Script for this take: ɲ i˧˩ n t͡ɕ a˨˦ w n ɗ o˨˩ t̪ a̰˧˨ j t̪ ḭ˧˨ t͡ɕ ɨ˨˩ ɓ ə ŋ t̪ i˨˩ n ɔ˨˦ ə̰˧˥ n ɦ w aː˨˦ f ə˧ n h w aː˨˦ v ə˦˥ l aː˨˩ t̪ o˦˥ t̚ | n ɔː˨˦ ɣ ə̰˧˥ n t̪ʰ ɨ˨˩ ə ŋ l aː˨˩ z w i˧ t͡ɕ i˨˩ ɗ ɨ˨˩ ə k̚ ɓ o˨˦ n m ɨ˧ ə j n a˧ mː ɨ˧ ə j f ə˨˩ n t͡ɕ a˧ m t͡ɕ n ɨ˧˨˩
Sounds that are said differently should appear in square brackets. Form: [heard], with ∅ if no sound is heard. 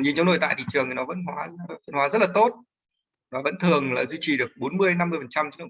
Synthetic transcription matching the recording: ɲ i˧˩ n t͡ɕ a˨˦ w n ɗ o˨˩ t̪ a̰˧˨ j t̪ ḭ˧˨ t͡ɕ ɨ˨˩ [∅] ə ŋ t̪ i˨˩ n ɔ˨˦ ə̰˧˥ n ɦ w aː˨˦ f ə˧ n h w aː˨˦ [z] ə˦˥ l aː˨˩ t̪ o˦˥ t̚ | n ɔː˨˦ [v] ə̰˧˥ n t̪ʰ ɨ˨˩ ə ŋ l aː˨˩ z w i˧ t͡ɕ i˨˩ ɗ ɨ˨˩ ə k̚ ɓ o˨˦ n m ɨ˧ ə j n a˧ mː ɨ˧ ə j f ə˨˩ n t͡ɕ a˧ m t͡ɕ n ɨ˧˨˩